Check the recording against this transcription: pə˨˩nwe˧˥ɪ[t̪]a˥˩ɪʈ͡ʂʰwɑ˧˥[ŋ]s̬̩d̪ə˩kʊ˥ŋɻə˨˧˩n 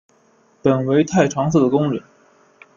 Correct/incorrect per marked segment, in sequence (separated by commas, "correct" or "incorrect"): incorrect, correct